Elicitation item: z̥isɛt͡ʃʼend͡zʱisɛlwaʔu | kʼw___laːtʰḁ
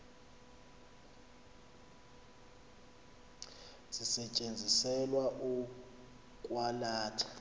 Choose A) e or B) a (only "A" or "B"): B